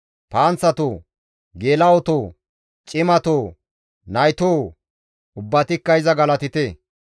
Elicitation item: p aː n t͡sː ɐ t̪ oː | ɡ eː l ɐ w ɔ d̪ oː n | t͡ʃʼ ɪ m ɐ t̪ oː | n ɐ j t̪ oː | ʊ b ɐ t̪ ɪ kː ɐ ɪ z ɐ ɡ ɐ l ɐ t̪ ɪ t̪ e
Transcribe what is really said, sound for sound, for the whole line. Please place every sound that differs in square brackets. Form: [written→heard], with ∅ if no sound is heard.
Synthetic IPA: p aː n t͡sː ɐ t̪ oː | ɡ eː l ɐ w ɔ [d̪→t̪] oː [n→∅] | t͡ʃʼ ɪ m ɐ t̪ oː | n ɐ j t̪ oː | ʊ [b→bː] ɐ t̪ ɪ kː ɐ ɪ z ɐ ɡ ɐ l ɐ t̪ ɪ t̪ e